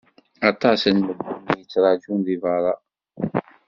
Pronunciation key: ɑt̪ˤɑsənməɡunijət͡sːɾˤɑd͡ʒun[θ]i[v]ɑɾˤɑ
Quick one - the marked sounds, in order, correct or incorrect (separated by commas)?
incorrect, correct